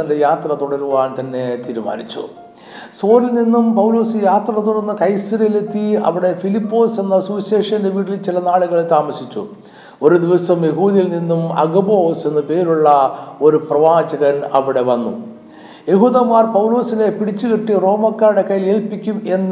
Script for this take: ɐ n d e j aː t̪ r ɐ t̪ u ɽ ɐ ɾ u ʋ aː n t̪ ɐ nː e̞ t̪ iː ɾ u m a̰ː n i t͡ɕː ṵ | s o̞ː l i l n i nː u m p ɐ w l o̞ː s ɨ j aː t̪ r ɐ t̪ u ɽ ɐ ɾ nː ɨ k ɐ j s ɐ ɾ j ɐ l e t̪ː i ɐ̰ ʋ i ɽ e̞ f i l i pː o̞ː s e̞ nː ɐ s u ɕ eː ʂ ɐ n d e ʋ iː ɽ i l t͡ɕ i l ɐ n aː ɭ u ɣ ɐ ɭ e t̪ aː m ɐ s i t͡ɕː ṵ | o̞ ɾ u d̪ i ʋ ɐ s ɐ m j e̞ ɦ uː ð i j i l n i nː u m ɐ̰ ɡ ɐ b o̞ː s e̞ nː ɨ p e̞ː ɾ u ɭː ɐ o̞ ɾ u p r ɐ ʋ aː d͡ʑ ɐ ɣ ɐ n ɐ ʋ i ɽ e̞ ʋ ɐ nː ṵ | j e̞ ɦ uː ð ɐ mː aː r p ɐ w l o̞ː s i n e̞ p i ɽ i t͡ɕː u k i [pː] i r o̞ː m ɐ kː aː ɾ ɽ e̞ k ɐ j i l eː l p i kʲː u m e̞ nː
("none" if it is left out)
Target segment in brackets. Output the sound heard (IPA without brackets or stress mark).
ʈː